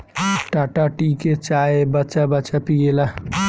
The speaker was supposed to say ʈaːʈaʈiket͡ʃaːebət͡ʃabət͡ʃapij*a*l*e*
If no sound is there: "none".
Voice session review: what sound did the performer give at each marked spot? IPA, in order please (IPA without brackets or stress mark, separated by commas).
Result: e, a